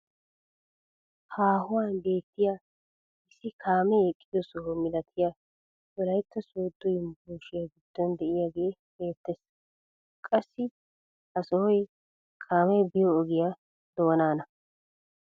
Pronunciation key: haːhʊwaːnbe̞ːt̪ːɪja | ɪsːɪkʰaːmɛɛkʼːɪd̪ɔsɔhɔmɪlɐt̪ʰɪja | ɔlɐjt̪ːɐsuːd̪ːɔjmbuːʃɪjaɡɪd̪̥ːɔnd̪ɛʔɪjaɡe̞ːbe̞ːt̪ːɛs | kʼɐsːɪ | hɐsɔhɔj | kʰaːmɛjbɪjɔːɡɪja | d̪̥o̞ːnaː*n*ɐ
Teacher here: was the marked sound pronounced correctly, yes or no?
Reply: yes